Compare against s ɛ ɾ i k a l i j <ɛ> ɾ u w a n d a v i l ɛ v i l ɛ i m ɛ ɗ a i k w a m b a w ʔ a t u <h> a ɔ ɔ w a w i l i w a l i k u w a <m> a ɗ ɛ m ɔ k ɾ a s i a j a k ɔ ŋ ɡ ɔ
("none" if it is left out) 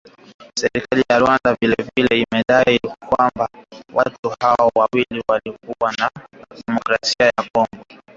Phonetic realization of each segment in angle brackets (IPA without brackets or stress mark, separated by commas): a, h, n